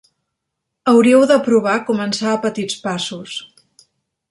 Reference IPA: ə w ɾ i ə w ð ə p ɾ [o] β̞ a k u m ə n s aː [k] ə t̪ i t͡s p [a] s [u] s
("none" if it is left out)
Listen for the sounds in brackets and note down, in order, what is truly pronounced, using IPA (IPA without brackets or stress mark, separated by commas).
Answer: u, p, a, u